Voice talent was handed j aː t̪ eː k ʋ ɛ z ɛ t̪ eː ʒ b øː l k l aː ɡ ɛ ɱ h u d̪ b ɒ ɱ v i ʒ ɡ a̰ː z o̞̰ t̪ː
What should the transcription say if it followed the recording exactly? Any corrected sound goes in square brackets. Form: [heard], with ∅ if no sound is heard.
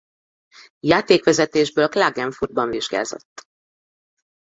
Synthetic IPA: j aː t̪ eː k ʋ ɛ z ɛ t̪ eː ʒ b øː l k l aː ɡ ɛ ɱ [f] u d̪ b ɒ ɱ v i ʒ ɡ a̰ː z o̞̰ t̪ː